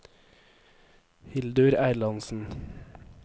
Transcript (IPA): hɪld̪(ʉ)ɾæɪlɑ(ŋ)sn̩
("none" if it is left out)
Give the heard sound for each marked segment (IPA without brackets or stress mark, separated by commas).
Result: ʉ, n